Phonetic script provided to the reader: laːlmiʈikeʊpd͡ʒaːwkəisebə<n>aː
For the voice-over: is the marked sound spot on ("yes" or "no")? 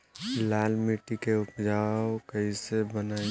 yes